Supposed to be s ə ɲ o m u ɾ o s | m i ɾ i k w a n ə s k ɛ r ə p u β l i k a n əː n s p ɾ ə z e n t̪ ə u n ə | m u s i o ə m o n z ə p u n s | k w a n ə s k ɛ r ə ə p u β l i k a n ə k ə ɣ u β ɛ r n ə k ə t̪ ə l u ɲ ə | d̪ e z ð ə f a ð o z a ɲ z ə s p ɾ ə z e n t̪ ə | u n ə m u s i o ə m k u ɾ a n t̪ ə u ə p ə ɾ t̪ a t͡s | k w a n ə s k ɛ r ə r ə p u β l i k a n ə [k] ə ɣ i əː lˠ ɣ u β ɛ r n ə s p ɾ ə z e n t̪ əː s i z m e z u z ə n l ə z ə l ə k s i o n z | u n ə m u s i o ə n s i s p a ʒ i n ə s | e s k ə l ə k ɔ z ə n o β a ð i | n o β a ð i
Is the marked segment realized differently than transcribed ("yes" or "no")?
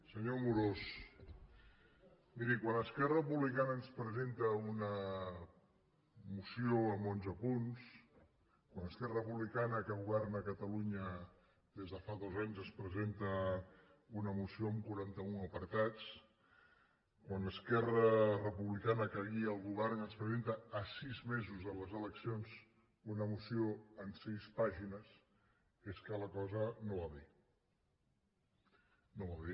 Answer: no